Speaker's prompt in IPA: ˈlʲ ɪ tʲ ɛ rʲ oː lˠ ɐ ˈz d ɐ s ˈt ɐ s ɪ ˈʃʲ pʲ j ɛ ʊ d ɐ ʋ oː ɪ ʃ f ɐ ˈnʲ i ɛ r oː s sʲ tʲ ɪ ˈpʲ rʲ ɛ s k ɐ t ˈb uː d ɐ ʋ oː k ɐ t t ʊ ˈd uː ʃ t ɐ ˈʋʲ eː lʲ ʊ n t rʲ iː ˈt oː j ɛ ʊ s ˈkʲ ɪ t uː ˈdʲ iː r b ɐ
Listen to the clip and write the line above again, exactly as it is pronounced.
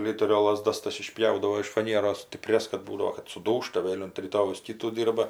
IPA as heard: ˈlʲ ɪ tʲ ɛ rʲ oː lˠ ɐ ˈz d ɐ s ˈt ɐ s ɪ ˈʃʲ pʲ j ɛ ʊ d ɐ ʋ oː ɪ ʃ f ɐ ˈnʲ i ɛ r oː s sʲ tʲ ɪ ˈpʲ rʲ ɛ s k ɐ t ˈb uː d ɐ ʋ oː k ɐ t s ʊ ˈd uː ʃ t ɐ ˈʋʲ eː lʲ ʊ n t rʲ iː ˈt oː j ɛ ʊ s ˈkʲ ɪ t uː ˈdʲ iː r b ɐ